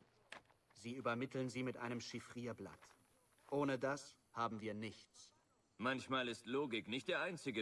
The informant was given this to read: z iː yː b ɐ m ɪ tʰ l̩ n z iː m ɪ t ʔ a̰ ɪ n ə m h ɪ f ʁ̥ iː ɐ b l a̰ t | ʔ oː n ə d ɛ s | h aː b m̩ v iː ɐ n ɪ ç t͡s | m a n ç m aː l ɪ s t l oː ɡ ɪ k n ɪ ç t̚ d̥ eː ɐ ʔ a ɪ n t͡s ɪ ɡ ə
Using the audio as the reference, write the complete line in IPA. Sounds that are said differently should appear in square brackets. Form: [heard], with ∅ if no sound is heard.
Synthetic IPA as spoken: z iː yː b ɐ m ɪ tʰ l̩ n z iː m ɪ t ʔ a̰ ɪ n ə m [ʃ] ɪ f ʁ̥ iː ɐ b l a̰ t | ʔ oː n ə d [a] s | h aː b m̩ v iː ɐ n ɪ ç t͡s | m a n ç m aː l ɪ s t l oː ɡ ɪ k n ɪ ç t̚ d̥ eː ɐ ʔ a ɪ n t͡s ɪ ɡ ə